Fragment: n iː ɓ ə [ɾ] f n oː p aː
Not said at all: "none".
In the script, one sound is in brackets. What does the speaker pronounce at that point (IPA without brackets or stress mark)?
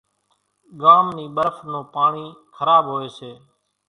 ɾ